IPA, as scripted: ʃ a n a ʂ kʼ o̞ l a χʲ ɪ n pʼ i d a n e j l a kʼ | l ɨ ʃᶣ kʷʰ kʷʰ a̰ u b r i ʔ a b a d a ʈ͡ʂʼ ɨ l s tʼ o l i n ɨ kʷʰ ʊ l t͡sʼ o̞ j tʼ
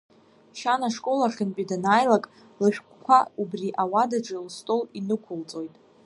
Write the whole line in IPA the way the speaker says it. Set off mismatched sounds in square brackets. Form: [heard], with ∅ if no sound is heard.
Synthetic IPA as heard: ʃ a n a ʂ kʼ o̞ l a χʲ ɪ n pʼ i d a n [a] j l a kʼ | l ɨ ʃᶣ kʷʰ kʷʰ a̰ u b r i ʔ a [w] a d a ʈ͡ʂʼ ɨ l s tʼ o l i n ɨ kʷʰ ʊ l t͡sʼ o̞ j tʼ